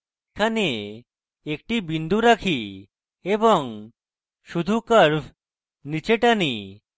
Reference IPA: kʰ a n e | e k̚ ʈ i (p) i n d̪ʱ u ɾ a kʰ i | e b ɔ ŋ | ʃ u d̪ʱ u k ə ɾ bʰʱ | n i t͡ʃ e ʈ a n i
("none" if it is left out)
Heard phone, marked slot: b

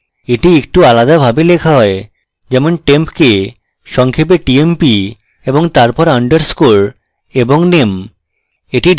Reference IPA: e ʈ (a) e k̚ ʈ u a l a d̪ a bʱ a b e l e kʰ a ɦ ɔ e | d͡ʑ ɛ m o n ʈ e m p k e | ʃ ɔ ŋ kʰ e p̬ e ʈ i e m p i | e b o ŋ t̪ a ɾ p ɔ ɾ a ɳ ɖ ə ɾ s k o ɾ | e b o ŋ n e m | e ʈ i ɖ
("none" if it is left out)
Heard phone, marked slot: i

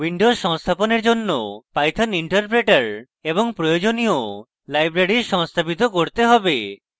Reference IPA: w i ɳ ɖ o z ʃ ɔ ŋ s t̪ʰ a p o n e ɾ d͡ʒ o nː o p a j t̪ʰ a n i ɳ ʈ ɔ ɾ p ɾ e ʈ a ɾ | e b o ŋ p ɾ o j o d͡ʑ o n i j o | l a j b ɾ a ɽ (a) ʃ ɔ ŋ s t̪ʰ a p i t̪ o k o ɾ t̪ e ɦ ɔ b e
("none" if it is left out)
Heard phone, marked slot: i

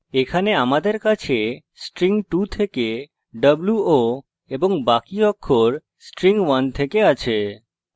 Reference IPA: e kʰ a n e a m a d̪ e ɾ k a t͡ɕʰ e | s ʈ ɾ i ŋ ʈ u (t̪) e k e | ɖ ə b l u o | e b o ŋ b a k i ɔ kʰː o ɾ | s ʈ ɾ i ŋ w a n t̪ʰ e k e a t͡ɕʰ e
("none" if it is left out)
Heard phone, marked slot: t̪ʰ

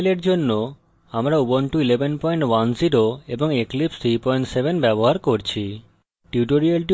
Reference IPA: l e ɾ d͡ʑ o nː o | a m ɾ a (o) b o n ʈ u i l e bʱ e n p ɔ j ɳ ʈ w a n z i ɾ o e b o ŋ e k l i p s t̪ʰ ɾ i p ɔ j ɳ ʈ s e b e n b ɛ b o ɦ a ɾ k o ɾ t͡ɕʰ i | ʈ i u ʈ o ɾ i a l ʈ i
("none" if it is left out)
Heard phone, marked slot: u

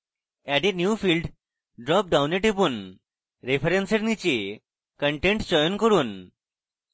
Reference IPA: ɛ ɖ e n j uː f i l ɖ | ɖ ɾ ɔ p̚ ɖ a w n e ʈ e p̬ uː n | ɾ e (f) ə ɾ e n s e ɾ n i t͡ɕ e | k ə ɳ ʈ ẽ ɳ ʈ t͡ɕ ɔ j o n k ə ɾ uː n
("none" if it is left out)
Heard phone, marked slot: f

